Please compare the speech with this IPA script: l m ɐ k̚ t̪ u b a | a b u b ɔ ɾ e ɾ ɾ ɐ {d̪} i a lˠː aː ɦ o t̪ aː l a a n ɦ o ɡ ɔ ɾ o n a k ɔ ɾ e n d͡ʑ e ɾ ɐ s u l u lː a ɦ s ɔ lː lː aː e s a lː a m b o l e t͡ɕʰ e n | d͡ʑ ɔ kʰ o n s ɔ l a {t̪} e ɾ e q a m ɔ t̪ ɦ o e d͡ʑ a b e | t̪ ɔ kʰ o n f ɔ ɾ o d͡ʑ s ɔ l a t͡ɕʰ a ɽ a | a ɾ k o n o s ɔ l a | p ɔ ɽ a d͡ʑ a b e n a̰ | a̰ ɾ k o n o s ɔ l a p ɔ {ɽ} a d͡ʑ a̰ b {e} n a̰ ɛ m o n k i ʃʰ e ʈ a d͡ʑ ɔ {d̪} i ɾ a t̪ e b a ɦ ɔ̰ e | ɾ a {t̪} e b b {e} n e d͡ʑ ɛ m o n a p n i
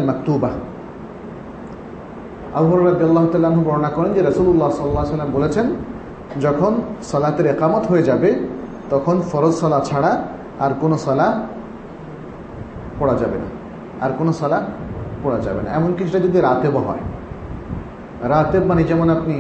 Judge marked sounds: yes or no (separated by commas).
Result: yes, yes, yes, yes, yes, yes, no